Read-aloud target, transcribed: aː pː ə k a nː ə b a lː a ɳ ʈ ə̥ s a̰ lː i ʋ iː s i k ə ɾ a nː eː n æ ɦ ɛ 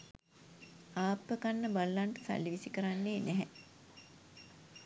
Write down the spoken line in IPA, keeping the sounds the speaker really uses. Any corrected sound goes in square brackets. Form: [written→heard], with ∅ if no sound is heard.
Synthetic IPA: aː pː ə k a nː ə b a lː a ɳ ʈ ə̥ s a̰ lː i ʋ [iː→i] s i k ə ɾ a nː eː n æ ɦ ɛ